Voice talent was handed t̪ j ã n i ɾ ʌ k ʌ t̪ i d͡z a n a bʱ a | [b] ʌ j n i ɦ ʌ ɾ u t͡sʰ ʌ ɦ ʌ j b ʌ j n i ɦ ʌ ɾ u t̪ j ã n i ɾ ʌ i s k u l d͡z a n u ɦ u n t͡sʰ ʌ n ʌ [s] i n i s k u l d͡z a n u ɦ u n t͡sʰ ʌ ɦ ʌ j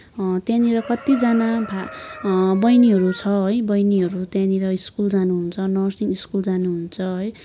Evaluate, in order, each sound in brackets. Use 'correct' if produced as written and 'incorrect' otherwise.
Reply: correct, correct

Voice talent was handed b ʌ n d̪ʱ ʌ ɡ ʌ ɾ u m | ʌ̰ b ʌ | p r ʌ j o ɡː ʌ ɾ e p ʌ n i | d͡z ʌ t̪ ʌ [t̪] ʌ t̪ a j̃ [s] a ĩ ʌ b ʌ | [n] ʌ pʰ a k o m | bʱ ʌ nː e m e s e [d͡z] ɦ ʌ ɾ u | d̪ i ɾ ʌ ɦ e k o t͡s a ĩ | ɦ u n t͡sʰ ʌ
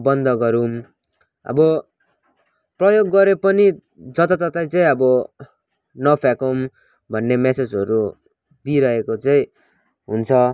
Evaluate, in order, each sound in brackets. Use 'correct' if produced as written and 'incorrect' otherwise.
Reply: correct, incorrect: t͡s, correct, correct

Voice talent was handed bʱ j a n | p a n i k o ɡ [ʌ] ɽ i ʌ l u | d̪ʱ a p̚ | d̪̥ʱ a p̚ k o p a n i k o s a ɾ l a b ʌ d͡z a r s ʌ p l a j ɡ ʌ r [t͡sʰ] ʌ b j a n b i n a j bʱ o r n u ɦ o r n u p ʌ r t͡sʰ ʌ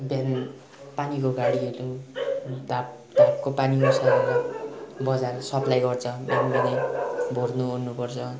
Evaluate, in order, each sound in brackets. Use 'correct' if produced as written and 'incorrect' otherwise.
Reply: incorrect: a, correct

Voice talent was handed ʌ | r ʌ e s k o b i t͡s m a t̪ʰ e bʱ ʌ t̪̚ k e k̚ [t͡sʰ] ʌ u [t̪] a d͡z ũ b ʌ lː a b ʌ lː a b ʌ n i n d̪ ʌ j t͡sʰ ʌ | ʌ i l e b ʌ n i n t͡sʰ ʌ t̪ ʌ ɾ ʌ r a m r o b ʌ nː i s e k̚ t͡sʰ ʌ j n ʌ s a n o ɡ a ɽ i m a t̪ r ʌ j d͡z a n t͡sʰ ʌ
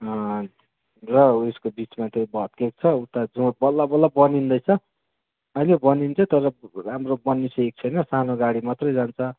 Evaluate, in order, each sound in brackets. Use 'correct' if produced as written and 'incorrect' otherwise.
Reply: correct, correct

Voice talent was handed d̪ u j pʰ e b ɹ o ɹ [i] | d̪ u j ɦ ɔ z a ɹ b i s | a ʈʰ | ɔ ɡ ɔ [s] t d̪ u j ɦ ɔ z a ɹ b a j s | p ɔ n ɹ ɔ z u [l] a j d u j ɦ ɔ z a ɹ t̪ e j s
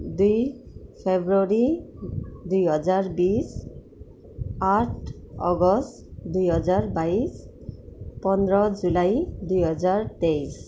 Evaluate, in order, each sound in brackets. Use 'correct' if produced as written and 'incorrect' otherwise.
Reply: correct, correct, correct

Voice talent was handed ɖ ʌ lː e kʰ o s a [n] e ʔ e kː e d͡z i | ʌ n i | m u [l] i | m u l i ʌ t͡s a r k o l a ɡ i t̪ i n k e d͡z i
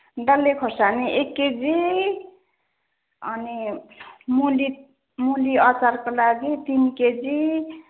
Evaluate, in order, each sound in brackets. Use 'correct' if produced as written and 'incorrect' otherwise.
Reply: correct, correct

